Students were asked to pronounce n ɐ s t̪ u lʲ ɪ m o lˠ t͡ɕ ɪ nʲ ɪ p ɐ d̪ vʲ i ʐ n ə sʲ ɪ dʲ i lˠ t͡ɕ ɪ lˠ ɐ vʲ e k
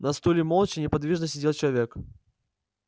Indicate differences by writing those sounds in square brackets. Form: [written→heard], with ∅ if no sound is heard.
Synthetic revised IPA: n ɐ s t̪ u lʲ ɪ m o lˠ t͡ɕ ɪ nʲ ɪ p ɐ d̪ vʲ i ʐ n ə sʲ ɪ dʲ [i→e] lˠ t͡ɕ ɪ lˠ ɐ vʲ e k